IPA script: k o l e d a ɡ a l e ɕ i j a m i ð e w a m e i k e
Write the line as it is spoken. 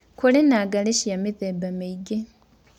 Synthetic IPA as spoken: k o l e n a ɡ a l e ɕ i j a m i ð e b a m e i ɡ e